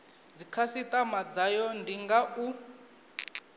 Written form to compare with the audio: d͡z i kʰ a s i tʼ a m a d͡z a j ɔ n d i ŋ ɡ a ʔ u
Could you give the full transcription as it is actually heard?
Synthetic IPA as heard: d͡z i kʰ a s i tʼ a m a d͡z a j ɔ n d i ŋ ɡ a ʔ u